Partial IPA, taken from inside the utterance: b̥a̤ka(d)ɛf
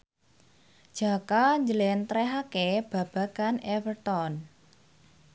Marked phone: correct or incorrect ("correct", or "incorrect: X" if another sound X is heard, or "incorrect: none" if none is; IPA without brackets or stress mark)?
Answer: incorrect: n